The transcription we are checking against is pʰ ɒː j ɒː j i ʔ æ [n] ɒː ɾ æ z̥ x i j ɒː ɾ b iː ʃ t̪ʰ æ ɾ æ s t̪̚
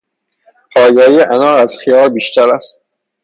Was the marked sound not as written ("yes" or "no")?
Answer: no